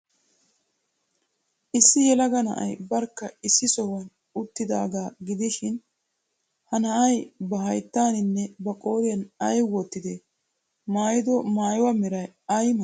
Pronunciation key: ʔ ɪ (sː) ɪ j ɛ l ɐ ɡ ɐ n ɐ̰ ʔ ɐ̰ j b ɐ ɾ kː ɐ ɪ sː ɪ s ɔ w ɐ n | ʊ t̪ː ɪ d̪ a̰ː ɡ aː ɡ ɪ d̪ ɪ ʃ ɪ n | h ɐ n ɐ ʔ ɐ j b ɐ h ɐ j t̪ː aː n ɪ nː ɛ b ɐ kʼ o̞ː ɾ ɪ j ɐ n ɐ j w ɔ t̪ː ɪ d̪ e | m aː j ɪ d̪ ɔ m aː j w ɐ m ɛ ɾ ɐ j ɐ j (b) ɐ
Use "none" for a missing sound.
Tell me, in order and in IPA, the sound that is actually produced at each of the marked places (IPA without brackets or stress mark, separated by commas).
sː, m